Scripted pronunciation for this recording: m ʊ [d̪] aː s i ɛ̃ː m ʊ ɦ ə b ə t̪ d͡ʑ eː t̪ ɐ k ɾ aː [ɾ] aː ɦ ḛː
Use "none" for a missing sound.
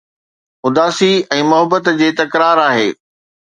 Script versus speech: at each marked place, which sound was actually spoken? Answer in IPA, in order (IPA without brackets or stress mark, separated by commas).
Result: d̪, ɾ